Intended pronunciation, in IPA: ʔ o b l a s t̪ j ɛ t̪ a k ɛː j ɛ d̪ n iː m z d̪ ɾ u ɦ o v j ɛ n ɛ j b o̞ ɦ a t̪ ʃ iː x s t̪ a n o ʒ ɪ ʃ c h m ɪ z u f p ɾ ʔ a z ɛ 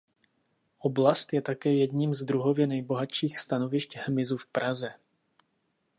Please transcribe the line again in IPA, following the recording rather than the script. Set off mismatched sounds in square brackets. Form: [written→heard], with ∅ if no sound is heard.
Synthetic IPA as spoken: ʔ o b l a s t̪ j ɛ t̪ a k ɛː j ɛ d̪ [n→ɲ] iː m z d̪ ɾ u ɦ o v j ɛ n ɛ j b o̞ ɦ a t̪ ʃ iː x s t̪ a n o [ʒ→v] ɪ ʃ c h m ɪ z u f p ɾ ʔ a z ɛ

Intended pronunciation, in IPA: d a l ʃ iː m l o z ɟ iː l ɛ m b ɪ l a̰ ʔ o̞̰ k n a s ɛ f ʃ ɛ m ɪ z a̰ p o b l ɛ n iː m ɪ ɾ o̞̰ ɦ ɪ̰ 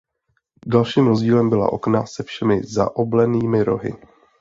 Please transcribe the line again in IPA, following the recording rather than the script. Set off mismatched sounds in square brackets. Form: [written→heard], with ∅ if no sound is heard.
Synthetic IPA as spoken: d a l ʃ iː m [l→ɾ] o z ɟ iː l ɛ m b ɪ l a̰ ʔ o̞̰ k n a s ɛ f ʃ ɛ m ɪ z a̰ [p→ʔ] o b l ɛ n iː m ɪ ɾ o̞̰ ɦ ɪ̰

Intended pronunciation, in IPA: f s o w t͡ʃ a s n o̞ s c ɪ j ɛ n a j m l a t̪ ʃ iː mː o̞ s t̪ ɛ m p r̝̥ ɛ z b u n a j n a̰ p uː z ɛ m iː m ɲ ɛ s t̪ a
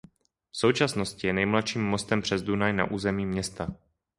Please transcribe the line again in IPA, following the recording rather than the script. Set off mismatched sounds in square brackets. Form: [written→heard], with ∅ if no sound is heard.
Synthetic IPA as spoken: f s o w t͡ʃ a s n o̞ s c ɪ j ɛ n [a→ɛ] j m l a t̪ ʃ iː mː o̞ s t̪ ɛ m p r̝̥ ɛ z [b→d] u n a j n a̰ [p→ʔ] uː z ɛ m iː m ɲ ɛ s t̪ a

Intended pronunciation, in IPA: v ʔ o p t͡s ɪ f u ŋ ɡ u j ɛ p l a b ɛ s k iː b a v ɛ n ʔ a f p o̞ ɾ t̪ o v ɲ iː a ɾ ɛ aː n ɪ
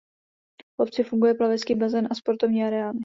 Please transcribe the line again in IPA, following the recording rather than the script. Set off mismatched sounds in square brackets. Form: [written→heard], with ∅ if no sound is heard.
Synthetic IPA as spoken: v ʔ o p t͡s ɪ f u ŋ ɡ u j ɛ p l a [b→v] ɛ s k iː b a [v→z] ɛ n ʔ a [f→s] p o̞ ɾ t̪ o v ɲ iː a ɾ ɛ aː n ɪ

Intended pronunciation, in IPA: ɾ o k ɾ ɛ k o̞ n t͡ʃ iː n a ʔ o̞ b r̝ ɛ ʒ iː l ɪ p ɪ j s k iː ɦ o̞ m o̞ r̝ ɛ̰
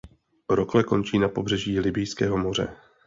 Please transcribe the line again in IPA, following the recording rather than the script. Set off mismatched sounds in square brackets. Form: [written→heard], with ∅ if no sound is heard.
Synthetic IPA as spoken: ɾ o k [ɾ→l] ɛ k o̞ n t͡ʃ iː n a [ʔ→p] o̞ b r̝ ɛ ʒ iː l ɪ [p→b] ɪ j s k [iː→ɛː] ɦ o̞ m o̞ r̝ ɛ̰

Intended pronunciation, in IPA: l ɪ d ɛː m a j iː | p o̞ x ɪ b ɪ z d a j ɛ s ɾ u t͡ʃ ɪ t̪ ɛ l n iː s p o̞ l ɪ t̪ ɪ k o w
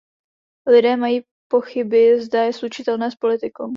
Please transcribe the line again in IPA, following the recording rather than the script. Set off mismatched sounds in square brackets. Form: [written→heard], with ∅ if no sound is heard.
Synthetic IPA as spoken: l ɪ d ɛː m a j iː | p o̞ x ɪ b ɪ z d a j ɛ s [ɾ→l] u t͡ʃ ɪ t̪ ɛ l n [iː→ɛː] s p o̞ l ɪ t̪ ɪ k o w

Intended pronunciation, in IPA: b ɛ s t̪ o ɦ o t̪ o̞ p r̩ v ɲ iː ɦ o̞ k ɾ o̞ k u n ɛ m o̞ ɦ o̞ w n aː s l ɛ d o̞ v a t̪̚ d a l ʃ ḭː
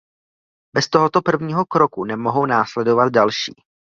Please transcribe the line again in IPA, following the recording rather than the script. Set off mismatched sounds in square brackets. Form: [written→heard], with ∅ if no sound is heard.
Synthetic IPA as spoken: b ɛ s t̪ o ɦ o t̪ o̞ p r̩ v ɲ iː ɦ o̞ k ɾ o̞ k u n ɛ m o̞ ɦ o̞ w n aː s l ɛ d o̞ v a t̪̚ d a l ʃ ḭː

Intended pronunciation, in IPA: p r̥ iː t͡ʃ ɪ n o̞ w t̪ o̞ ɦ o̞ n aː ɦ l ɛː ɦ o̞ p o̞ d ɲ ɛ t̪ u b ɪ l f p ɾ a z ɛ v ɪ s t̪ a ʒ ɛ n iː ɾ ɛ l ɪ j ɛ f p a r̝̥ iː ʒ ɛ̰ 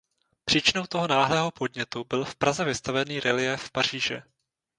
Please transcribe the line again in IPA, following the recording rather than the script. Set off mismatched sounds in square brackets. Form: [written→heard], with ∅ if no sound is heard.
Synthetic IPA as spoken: p r̥ iː t͡ʃ ɪ n o̞ w t̪ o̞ ɦ o̞ n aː ɦ l ɛː ɦ o̞ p o̞ d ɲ ɛ t̪ u b ɪ l f p ɾ a z ɛ v ɪ s t̪ a [ʒ→v] ɛ n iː ɾ ɛ l ɪ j ɛ f p a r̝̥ iː ʒ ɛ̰

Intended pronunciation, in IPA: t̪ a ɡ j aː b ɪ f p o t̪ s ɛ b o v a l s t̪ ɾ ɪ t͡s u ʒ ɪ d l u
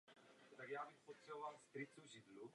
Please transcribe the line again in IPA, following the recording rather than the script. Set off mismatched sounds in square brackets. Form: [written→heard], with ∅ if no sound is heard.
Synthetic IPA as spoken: t̪ a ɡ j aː b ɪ [f→x] p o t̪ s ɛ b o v a l s t̪ ɾ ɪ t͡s u ʒ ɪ d l u

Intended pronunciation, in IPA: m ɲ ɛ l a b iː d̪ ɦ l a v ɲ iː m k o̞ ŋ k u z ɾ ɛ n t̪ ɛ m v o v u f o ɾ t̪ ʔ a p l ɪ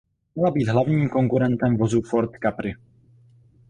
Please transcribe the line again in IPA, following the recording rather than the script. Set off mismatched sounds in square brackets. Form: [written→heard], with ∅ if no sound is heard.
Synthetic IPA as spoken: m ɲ ɛ l a b iː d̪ ɦ l a v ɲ iː m k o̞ ŋ k u [z→∅] ɾ ɛ n t̪ ɛ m v o [v→z] u f o ɾ t̪ [ʔ→k] a p [l→ɾ] ɪ

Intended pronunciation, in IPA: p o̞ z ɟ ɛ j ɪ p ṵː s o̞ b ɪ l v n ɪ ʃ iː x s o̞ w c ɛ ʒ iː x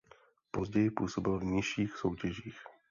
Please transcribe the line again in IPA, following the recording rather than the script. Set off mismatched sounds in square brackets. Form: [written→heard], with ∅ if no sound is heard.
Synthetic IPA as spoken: p o̞ z ɟ ɛ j ɪ p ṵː s o̞ b ɪ l v [n→ɲ] ɪ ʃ iː x s o̞ w c ɛ ʒ iː x

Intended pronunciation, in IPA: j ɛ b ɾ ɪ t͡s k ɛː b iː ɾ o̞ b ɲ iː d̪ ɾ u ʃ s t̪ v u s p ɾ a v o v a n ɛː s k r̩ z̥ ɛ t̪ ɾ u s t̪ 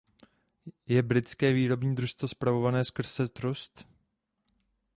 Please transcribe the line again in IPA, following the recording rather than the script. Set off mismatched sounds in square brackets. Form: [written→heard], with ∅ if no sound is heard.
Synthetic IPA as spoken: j ɛ b ɾ ɪ t͡s k ɛː [b→v] iː ɾ o̞ b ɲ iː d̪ ɾ u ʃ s t̪ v [u→o] s p ɾ a v o v a n ɛː s k r̩ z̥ ɛ t̪ ɾ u s t̪

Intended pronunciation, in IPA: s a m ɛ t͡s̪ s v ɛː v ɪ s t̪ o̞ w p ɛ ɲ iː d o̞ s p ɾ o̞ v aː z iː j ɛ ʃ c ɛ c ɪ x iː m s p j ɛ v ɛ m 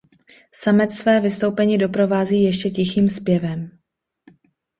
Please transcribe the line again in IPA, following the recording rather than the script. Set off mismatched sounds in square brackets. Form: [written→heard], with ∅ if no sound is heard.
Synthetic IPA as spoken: s a m ɛ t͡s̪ s v ɛː v ɪ s t̪ o̞ w p ɛ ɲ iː d o̞ [s→∅] p ɾ o̞ v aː z iː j ɛ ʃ c ɛ c ɪ x iː m s p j ɛ v ɛ m

